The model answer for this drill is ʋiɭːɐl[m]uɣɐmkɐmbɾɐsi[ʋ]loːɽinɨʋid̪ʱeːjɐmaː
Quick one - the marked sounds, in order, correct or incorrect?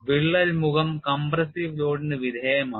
correct, correct

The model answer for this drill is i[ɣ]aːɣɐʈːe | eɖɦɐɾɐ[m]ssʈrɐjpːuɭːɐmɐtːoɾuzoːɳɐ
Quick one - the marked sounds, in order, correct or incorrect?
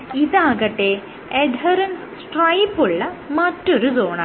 incorrect, incorrect

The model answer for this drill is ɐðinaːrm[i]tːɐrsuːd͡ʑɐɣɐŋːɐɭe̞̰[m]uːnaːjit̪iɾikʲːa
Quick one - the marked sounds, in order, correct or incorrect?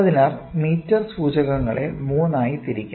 incorrect, correct

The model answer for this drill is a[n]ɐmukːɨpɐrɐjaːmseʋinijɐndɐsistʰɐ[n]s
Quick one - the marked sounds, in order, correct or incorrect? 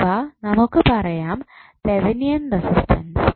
correct, correct

